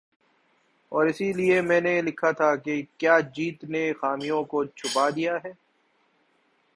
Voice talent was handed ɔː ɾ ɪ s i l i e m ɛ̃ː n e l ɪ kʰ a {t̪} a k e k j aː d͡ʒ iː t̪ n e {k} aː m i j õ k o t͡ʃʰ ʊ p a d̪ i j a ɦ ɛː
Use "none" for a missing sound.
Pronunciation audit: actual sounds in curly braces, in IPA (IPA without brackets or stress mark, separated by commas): t̪ʰ, x